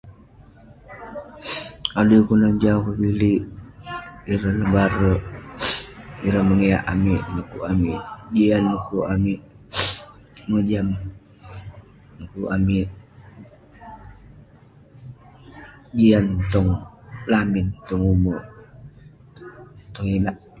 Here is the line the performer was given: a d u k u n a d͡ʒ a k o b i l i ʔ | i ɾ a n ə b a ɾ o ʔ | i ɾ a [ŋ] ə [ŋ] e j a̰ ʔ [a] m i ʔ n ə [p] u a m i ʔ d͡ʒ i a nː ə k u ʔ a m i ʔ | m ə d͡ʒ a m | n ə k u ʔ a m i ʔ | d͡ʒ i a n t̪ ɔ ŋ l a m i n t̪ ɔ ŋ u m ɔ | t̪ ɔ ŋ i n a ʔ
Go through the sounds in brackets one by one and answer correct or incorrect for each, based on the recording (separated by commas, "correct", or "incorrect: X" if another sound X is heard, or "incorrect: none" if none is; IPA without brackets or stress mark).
incorrect: m, correct, correct, incorrect: k